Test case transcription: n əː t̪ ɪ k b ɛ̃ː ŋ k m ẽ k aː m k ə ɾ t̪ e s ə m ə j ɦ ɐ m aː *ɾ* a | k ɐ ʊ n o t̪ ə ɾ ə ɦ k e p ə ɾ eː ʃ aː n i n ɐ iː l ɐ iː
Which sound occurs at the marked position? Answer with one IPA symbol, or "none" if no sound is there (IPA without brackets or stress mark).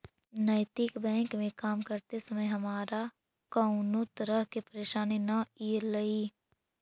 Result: ɾ